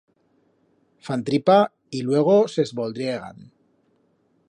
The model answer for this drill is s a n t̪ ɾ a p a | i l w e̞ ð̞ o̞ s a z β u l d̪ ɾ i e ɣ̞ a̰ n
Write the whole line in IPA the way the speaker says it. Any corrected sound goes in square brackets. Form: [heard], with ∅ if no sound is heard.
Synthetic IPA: [f] a n t̪ ɾ [i] p a | i l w e̞ [ɣ̞] o̞ s [e] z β [o] l d̪ ɾ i e ɣ̞ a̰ n